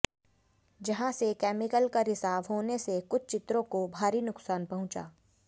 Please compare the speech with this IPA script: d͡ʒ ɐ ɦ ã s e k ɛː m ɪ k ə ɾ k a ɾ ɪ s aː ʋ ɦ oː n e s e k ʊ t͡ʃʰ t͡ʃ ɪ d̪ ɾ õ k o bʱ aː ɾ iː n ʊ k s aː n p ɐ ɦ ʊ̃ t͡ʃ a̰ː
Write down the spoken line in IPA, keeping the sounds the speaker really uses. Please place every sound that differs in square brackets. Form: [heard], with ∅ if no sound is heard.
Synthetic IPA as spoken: d͡ʒ ɐ ɦ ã s e k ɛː m ɪ k ə [l] k a ɾ ɪ s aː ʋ ɦ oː n e s e k ʊ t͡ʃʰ t͡ʃ ɪ [t̪] ɾ õ k o bʱ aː ɾ [i] n ʊ k s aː n p ɐ ɦ ʊ̃ t͡ʃ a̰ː